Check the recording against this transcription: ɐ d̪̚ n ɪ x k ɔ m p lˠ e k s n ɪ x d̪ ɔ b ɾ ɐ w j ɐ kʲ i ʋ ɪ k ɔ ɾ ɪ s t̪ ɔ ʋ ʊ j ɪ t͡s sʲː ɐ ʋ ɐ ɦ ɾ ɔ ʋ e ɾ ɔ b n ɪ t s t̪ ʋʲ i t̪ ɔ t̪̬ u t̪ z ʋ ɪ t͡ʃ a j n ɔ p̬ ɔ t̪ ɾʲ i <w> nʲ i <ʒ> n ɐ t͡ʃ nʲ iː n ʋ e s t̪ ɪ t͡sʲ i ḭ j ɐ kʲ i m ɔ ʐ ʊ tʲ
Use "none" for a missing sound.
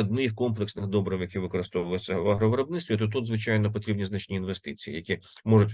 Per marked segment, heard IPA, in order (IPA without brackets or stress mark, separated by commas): b, z